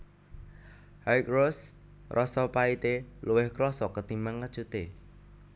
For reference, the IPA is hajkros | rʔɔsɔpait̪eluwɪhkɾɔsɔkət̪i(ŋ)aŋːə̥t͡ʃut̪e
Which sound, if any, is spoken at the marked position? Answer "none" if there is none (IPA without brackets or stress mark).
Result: m